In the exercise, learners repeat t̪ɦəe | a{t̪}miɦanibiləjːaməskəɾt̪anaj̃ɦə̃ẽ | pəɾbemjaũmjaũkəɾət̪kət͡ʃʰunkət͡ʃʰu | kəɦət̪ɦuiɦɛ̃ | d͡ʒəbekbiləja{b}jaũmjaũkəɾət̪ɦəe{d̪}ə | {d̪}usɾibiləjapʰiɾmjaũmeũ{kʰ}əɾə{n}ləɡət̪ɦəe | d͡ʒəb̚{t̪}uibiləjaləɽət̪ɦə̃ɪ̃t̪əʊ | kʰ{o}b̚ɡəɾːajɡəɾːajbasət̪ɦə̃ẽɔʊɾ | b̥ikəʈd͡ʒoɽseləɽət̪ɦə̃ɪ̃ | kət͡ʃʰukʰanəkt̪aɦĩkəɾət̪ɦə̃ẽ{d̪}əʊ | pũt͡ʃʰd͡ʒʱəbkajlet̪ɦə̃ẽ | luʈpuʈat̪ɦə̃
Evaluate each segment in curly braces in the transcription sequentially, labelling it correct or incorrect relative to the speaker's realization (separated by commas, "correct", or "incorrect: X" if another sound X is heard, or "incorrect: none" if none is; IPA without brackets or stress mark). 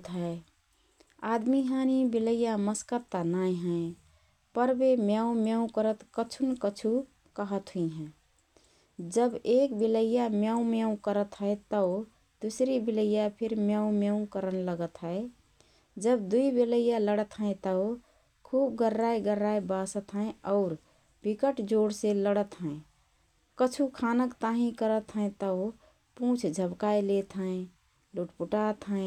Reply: incorrect: d̪, incorrect: m, incorrect: t̪, correct, incorrect: k, correct, incorrect: d̪, incorrect: u, incorrect: t̪